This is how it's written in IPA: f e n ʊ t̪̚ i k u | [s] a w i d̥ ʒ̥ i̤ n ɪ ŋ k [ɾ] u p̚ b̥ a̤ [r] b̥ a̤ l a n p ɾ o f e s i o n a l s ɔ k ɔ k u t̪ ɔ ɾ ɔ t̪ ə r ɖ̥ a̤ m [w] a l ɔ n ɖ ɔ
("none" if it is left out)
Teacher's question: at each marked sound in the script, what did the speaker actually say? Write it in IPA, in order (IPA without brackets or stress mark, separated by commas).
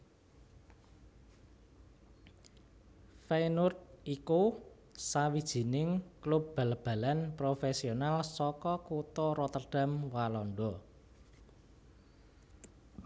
s, l, l, w